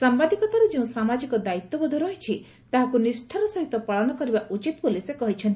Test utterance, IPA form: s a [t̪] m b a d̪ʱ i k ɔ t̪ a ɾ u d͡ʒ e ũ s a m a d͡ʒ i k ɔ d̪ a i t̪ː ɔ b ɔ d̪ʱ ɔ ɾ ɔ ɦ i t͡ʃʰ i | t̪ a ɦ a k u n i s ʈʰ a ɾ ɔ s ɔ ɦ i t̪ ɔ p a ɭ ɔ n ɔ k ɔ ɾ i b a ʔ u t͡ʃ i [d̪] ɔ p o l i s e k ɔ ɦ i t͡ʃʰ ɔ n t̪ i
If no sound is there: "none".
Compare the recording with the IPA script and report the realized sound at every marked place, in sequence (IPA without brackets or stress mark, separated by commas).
none, t̪